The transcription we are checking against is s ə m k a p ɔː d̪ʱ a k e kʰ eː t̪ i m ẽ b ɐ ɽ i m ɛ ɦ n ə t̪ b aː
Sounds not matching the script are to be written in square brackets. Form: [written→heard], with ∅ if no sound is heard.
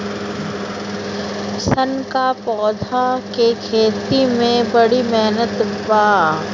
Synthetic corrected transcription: s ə [m→n] k a p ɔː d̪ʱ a k e kʰ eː t̪ i m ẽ b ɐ ɽ i m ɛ ɦ n ə t̪ b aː